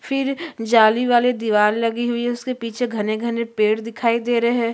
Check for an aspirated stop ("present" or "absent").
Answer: present